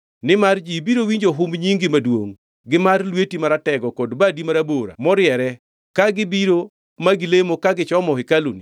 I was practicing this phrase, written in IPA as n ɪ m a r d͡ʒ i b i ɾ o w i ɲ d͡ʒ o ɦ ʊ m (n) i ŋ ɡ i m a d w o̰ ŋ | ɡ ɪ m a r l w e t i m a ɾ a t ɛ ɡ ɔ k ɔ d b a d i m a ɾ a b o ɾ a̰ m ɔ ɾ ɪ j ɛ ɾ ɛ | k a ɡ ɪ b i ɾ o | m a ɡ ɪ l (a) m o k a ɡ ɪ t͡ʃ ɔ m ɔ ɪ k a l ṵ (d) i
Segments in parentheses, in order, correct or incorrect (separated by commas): incorrect, incorrect, incorrect